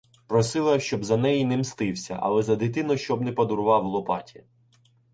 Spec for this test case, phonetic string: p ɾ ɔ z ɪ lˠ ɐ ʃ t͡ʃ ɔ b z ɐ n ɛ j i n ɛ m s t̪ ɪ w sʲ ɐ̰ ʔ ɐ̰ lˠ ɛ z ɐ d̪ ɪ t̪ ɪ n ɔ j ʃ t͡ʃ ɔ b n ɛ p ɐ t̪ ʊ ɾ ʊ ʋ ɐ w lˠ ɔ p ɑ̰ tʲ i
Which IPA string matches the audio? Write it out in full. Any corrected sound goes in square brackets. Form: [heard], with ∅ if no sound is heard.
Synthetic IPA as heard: p ɾ ɔ [s] ɪ lˠ ɐ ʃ t͡ʃ ɔ b z ɐ n ɛ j i n ɛ m s t̪ ɪ w sʲ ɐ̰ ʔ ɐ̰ lˠ ɛ z ɐ d̪ ɪ t̪ ɪ n ɔ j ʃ t͡ʃ ɔ b n ɛ p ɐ [d̪] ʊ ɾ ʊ ʋ [ɑ] w lˠ ɔ p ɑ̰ tʲ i